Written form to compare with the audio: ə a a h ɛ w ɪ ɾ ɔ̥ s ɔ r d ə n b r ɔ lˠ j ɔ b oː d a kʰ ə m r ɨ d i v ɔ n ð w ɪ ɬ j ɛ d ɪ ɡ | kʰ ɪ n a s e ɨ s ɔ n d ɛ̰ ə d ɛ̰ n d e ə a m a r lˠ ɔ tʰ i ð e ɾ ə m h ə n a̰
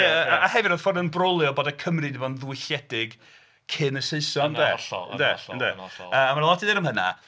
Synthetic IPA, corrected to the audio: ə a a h ɛ v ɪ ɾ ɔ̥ f ɔ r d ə n b r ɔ lˠ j ɔ b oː d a kʰ ə m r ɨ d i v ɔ n ð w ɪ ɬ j ɛ d ɪ ɡ | kʰ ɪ n ə s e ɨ s ɔ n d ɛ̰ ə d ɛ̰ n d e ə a m a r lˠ ɔ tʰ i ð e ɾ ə m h ə n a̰